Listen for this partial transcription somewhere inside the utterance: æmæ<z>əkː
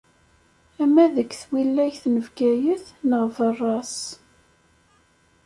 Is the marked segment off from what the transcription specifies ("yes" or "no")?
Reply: yes